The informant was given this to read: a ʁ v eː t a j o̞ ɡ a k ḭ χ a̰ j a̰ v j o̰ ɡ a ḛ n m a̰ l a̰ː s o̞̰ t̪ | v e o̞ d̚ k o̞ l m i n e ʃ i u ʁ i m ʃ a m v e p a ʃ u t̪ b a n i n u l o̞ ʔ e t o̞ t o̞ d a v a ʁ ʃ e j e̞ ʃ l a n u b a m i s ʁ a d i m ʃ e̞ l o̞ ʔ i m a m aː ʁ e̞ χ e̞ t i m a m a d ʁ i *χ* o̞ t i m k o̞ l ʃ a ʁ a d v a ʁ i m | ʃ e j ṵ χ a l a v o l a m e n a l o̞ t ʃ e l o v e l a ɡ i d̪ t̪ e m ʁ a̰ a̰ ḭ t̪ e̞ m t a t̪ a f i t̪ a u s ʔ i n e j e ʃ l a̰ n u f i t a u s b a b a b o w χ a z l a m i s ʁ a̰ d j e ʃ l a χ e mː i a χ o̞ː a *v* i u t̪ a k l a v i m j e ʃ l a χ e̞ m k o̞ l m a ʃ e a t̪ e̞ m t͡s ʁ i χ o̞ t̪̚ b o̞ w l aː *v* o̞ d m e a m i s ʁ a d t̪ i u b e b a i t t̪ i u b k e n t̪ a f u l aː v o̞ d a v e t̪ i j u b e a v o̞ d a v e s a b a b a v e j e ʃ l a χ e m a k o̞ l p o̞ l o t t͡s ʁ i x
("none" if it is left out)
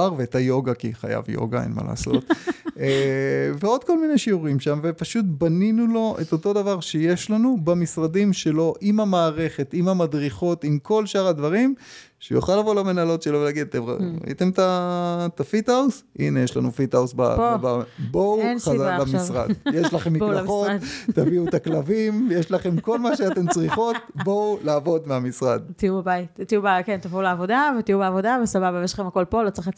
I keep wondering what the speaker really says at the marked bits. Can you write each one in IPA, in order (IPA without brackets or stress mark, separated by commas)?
χ, v, v